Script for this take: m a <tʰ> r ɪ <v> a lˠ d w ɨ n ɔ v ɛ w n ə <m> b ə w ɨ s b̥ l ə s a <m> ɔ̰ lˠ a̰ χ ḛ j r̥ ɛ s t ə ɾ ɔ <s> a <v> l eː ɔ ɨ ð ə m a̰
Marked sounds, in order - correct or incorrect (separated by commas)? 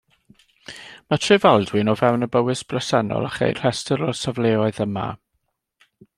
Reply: correct, correct, incorrect, incorrect, correct, correct